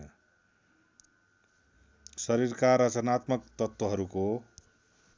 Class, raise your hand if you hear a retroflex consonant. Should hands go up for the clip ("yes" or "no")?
no